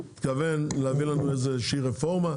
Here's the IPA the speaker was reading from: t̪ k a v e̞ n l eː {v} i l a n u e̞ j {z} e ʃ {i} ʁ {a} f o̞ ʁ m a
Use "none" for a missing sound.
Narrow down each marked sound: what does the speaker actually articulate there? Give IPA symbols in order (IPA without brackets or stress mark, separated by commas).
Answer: v, z, i, e